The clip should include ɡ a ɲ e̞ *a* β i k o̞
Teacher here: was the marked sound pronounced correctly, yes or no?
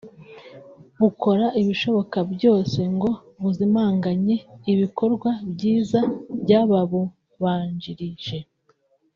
no